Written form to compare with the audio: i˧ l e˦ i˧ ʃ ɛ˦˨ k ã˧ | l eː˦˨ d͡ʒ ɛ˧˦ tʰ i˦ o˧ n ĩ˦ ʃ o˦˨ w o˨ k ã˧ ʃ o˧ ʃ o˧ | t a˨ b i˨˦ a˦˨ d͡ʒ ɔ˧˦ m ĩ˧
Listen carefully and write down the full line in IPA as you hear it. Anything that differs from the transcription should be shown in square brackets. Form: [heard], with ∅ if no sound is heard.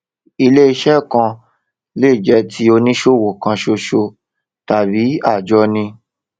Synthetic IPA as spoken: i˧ l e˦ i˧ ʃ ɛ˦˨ k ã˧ | l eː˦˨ d͡ʒ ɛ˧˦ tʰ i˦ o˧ n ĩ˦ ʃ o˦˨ w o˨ k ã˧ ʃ o˧ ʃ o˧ | t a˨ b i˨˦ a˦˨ d͡ʒ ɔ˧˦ [n] ĩ˧